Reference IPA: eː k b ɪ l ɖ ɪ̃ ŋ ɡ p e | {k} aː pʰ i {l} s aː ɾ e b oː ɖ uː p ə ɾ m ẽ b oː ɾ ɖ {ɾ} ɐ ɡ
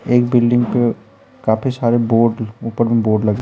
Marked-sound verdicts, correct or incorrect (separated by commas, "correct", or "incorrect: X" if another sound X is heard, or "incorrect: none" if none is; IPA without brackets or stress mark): correct, incorrect: none, incorrect: l